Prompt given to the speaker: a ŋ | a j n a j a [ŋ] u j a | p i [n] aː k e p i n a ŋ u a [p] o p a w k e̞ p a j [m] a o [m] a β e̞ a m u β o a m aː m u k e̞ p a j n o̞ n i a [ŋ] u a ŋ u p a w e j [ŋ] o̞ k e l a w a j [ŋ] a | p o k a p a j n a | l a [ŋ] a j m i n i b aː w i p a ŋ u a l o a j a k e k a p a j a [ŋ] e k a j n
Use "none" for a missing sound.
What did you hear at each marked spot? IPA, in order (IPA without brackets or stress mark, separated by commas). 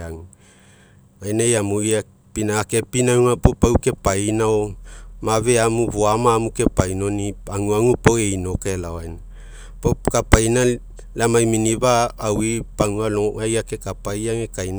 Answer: m, n, p, n, m, ŋ, n, n, m, ŋ